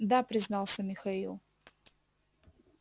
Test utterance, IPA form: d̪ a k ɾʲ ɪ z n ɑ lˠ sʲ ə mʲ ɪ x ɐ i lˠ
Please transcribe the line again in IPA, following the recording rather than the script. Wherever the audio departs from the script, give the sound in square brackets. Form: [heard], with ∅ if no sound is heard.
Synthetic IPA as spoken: d̪ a [p] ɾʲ ɪ z n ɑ lˠ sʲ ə mʲ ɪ x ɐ i lˠ